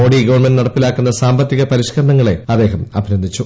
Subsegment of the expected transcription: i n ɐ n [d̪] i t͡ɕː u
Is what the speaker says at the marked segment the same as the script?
yes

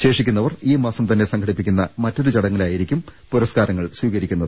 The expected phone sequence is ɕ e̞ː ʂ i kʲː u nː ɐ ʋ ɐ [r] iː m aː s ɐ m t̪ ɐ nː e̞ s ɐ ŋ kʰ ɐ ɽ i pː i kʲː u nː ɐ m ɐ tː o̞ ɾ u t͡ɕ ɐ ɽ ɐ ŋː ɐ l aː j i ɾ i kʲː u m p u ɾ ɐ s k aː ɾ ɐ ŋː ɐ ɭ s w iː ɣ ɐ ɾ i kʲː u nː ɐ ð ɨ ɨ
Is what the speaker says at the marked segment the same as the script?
yes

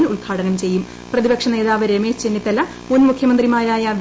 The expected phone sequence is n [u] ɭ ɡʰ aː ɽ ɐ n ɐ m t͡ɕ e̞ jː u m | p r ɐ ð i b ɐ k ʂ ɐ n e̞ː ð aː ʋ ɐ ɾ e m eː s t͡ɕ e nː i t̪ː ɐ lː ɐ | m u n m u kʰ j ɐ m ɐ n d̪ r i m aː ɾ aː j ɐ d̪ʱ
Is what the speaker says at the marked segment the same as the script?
yes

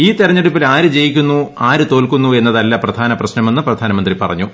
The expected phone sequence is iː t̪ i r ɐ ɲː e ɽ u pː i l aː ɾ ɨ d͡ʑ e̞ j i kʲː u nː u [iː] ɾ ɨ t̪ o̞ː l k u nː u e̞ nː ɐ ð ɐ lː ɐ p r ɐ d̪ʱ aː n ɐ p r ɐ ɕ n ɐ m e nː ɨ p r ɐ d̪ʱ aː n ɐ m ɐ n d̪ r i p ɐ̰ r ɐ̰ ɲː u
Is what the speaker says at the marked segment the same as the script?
no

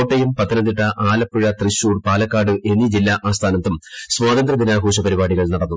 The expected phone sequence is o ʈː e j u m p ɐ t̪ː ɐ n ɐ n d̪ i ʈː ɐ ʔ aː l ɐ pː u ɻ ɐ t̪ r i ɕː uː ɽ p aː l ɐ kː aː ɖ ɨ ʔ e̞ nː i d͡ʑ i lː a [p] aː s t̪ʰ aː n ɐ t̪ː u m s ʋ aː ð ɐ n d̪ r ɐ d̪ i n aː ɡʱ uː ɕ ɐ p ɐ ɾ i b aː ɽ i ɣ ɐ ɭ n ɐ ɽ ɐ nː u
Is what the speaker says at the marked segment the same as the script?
no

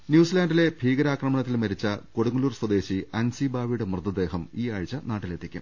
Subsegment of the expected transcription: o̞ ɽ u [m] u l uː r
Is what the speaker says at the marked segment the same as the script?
no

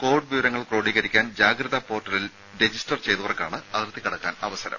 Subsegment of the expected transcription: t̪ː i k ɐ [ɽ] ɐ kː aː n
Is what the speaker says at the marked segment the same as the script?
yes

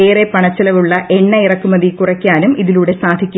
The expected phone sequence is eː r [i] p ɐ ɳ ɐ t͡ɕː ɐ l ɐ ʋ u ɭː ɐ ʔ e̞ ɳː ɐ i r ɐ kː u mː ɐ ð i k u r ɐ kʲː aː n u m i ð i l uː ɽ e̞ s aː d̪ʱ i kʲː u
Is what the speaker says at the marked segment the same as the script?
no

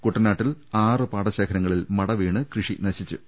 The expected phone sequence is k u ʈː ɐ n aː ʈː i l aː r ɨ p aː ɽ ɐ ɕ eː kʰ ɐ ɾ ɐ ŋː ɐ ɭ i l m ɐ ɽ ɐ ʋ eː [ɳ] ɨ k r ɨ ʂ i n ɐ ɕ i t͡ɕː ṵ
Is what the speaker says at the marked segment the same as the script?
yes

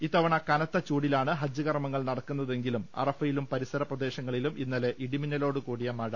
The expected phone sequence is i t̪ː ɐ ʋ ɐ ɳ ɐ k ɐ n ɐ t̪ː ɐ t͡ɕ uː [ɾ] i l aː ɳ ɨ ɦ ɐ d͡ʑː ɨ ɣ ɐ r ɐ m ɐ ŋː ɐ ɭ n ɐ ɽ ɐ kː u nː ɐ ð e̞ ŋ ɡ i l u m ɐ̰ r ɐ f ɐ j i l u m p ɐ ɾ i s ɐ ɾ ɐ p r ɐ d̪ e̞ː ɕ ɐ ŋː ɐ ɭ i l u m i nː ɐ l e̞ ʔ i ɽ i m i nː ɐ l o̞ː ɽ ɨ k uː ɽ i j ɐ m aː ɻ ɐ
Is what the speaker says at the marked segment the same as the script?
no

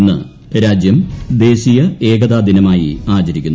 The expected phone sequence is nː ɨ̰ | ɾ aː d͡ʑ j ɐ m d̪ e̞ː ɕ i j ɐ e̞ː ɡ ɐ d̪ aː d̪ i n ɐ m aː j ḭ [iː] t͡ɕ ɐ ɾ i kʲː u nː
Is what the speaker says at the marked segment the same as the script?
no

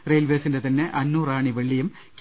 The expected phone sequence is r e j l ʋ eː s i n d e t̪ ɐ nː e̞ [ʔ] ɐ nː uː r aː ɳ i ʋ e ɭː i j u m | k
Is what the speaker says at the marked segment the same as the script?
yes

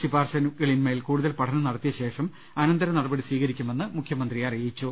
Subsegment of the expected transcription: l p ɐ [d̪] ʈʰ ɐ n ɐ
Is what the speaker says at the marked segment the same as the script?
no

